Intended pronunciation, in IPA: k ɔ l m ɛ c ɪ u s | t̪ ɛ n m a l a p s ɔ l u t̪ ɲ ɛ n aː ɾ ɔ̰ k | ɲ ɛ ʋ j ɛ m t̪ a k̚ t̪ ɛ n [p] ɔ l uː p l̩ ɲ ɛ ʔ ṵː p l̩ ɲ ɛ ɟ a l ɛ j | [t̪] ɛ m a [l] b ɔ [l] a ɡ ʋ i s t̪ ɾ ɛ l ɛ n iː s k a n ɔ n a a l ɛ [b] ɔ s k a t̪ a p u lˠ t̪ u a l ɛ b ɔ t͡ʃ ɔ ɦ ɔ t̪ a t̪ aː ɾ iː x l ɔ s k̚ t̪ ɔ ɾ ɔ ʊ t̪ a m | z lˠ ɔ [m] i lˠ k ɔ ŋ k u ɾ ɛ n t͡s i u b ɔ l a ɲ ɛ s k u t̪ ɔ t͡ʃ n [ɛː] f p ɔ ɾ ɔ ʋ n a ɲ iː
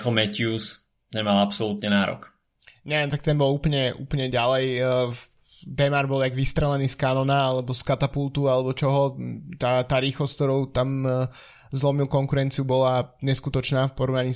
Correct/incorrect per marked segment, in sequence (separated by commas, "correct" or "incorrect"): incorrect, incorrect, incorrect, correct, correct, correct, incorrect